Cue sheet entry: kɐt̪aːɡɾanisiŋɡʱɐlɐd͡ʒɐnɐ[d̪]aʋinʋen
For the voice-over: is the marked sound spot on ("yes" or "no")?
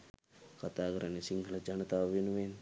no